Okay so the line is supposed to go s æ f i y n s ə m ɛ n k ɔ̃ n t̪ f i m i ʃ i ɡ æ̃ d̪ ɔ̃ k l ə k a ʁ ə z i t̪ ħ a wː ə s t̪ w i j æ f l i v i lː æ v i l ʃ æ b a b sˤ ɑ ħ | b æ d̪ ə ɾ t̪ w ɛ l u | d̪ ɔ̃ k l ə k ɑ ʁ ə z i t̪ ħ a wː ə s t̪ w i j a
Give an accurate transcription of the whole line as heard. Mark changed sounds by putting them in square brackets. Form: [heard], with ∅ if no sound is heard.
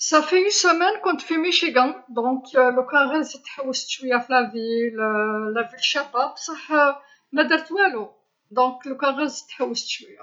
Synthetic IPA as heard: s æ f i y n s ə m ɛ n k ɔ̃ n t̪ f i m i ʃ i ɡ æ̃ d̪ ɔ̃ k l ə k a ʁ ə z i t̪ ħ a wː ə s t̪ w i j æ f l [æ] v i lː æ v i l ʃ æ b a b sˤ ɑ ħ | [m] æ d̪ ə ɾ t̪ w [æ] l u | d̪ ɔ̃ k l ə k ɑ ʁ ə z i t̪ ħ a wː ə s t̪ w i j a